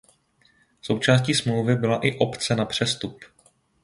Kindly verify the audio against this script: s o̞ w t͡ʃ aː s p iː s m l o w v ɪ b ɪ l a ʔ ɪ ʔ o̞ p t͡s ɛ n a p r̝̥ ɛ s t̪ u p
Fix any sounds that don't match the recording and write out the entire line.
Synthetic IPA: s o̞ w t͡ʃ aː s c iː s m l o w v ɪ b ɪ l a ʔ ɪ ʔ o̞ p t͡s ɛ n a p r̝̥ ɛ s t̪ u p